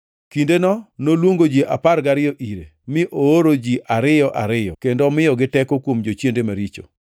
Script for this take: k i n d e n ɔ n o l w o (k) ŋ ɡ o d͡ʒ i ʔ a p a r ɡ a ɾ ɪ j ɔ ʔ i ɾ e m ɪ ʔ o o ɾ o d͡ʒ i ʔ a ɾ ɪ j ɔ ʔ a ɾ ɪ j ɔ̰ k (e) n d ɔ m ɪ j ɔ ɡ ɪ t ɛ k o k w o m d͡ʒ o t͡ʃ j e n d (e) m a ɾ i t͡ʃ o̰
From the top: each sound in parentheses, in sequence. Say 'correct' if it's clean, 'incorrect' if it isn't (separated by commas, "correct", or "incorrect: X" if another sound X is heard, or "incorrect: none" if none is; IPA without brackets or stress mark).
incorrect: none, correct, correct